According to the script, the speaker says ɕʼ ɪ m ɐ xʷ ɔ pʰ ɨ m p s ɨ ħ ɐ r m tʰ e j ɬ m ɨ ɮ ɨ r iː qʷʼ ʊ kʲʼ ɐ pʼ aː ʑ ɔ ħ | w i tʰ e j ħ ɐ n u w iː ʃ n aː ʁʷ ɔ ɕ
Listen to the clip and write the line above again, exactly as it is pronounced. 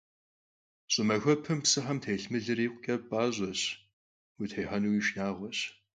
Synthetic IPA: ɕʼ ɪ m ɐ xʷ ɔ pʰ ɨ m p s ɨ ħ ɐ m tʰ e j ɬ m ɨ ɮ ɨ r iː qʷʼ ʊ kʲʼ ɐ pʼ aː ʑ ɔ ɕ | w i tʰ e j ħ ɐ n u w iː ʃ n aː ʁʷ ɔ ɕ

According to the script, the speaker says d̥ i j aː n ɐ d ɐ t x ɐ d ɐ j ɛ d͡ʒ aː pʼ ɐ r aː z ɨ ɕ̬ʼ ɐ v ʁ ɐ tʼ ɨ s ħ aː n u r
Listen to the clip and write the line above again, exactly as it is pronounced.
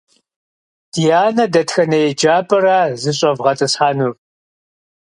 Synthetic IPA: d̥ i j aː n ɐ d ɐ t x ɐ n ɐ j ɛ d͡ʒ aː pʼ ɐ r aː z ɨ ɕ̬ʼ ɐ v ʁ ɐ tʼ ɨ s ħ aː n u r

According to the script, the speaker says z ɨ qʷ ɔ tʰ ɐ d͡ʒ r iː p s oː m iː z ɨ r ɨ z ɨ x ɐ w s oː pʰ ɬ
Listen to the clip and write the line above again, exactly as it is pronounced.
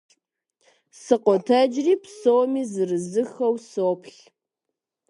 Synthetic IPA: s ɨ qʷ ɔ tʰ ɐ d͡ʒ r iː p s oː m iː z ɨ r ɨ z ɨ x ɐ w s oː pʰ ɬ

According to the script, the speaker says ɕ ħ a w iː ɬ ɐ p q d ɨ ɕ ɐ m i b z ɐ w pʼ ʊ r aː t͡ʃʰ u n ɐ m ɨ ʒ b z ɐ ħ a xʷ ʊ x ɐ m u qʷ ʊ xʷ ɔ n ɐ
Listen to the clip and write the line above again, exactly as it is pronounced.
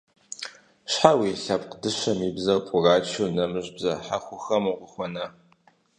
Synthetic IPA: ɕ ħ a w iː ɬ ɐ p q d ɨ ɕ ɐ m i b z ɐ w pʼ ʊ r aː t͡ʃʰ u n ɐ m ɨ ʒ b z ɐ ħ a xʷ ʊ x ɐ m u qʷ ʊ xʷ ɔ n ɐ

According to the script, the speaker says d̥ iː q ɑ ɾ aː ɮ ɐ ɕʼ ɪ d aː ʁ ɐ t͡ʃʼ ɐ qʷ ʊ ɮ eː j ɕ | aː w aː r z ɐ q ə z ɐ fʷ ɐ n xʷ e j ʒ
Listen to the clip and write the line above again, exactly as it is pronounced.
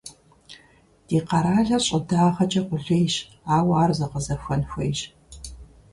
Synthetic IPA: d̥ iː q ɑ ɾ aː ɮ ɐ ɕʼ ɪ d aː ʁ ɐ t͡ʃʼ ɐ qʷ ʊ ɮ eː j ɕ | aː w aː r z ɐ q ə z ɐ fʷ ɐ n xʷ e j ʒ

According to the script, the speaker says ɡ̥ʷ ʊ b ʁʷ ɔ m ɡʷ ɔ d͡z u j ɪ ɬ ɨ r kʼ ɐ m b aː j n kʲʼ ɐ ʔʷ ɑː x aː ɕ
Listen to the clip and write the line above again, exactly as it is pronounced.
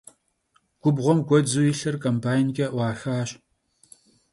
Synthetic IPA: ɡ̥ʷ ʊ b ʁʷ ɔ m ɡʷ ɔ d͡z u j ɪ ɬ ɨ r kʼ ɐ m b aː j n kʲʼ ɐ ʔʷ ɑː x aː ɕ

